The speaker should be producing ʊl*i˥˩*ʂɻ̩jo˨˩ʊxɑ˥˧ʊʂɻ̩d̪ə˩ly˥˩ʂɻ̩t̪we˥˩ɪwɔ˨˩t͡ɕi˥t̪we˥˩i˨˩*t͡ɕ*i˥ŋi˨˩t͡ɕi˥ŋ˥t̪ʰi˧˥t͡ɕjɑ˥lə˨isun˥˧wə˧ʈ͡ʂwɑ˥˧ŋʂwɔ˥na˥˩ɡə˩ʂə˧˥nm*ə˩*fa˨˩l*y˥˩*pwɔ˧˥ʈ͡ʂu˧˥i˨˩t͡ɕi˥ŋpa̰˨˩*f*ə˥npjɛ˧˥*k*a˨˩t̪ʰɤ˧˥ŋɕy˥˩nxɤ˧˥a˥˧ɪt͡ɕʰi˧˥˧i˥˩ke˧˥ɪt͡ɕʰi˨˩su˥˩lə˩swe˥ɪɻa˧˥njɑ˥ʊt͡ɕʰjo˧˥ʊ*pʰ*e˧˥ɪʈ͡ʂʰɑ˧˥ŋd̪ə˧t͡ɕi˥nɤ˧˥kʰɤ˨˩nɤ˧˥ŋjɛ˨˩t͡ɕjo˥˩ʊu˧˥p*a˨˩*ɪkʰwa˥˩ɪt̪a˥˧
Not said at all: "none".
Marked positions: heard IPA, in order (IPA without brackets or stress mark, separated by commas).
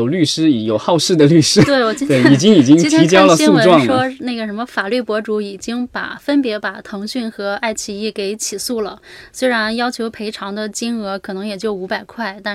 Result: y˥˩, t͡ɕ, ə˧, y˥˩, f, p, pʰ, a˨˩